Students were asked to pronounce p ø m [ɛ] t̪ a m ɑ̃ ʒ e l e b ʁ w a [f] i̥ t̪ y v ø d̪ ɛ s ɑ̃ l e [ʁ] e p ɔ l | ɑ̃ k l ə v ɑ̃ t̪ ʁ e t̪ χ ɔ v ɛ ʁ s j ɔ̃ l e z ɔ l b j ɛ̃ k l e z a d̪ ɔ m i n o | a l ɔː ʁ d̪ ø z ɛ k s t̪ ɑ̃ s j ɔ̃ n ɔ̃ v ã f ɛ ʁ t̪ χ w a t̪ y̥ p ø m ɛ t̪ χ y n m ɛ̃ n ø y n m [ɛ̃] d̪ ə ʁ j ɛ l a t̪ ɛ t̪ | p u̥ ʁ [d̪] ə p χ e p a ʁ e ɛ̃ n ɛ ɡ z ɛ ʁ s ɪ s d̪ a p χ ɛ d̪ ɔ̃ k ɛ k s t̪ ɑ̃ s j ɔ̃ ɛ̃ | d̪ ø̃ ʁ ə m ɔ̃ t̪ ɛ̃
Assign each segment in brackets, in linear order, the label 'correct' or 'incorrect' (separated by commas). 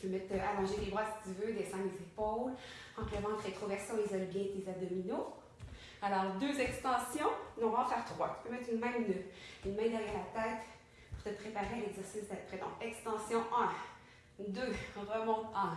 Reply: correct, incorrect, incorrect, correct, incorrect